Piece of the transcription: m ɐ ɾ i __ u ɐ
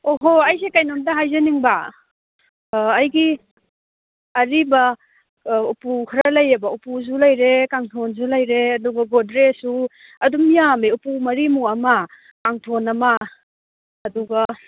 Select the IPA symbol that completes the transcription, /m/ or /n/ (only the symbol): m